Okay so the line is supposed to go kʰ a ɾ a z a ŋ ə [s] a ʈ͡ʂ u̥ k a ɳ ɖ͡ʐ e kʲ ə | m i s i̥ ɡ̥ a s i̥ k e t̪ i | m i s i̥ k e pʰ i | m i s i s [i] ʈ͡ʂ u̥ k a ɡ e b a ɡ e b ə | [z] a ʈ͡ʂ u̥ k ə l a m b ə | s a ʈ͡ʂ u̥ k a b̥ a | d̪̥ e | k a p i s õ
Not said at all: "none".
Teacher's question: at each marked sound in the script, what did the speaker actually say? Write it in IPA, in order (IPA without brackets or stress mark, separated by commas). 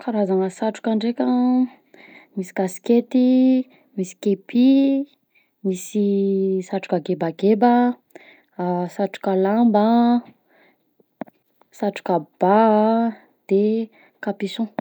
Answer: s, a, s